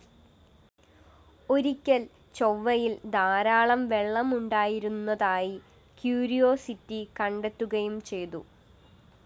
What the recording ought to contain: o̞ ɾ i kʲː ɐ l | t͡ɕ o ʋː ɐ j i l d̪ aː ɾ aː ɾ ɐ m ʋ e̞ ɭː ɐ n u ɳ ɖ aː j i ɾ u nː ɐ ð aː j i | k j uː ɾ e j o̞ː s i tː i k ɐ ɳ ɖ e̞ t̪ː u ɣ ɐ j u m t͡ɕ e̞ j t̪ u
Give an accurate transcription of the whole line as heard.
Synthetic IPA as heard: o̞ ɾ i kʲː ɐ l | t͡ɕ o ʋː ɐ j i l d̪ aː ɾ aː ɭ ɐ m ʋ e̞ ɭː ɐ m u ɳ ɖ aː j i ɾ u nː ɐ ð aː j i | k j uː ɾ i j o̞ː s i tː i k ɐ ɳ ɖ e̞ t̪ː u ɣ ɐ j u m t͡ɕ e̞ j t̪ u